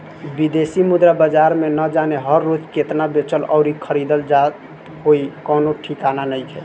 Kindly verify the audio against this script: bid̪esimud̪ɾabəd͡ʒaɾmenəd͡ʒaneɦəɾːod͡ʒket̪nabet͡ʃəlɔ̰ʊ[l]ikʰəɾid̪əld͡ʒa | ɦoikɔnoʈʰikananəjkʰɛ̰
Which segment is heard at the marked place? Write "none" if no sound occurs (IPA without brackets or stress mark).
ɾ